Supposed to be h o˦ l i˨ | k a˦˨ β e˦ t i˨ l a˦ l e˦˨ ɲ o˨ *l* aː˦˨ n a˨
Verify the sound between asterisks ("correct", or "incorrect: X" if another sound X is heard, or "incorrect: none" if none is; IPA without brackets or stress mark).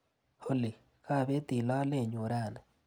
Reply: incorrect: ɾ